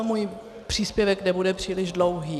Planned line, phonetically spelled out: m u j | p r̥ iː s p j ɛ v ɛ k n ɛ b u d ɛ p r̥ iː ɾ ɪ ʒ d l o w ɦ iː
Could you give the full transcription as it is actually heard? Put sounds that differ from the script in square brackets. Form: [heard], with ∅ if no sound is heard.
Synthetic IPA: m u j | p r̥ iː s p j ɛ v ɛ k n ɛ b u d ɛ p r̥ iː [l] ɪ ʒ d l o w ɦ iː